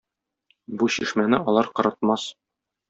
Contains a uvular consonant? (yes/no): yes